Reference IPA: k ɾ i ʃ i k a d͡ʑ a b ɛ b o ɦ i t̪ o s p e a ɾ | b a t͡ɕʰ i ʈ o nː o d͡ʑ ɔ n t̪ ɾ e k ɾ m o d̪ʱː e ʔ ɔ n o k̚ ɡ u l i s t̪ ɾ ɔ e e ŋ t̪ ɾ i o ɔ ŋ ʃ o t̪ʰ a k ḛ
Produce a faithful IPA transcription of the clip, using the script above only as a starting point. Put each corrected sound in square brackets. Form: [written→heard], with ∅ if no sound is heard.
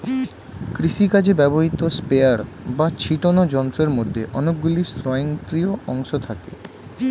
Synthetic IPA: k ɾ i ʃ i k a d͡ʑ [a→e] b ɛ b o ɦ i t̪ o s p e a ɾ | b a t͡ɕʰ i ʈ o [nː→n] o d͡ʑ ɔ n t̪ ɾ e [k→∅] ɾ m o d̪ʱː e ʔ ɔ n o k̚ ɡ u l i s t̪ ɾ ɔ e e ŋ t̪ ɾ i o ɔ ŋ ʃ o t̪ʰ a k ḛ